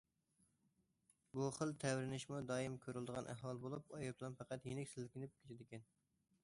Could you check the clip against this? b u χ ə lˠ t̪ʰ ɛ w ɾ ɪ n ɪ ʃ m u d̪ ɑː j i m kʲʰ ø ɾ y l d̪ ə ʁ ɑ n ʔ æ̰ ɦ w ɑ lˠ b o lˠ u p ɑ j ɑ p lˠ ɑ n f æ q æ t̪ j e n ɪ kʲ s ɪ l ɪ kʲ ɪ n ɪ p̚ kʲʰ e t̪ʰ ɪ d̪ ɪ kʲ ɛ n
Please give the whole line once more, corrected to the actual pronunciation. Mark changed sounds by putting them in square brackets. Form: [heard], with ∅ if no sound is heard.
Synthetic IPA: b u χ ə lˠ t̪ʰ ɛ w ɾ ɪ n ɪ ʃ m u d̪ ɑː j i m kʲʰ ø ɾ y l d̪ ə ʁ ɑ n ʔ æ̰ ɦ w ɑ lˠ b o lˠ u p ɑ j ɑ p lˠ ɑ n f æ q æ t̪ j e n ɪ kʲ s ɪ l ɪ kʲ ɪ n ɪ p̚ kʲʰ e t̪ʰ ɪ d̪ ɪ kʲ ɛ n